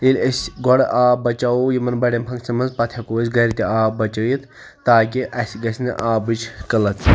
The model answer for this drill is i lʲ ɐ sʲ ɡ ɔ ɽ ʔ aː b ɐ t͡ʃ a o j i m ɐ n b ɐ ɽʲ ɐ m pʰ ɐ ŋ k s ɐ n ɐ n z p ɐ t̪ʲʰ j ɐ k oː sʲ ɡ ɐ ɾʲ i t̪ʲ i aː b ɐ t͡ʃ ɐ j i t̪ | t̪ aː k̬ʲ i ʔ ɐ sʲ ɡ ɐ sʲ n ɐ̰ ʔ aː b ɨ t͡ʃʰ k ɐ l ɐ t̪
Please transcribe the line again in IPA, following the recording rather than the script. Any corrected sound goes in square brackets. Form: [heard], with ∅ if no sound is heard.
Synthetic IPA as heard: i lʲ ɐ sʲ ɡ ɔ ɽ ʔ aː b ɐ t͡ʃ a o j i m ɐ n b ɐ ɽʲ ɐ m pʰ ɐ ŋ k s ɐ [m] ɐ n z p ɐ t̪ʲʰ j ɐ k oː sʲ ɡ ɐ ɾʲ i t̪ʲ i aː b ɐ t͡ʃ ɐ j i t̪ | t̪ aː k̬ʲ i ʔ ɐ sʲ ɡ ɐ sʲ n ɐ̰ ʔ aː b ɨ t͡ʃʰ k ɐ l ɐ t̪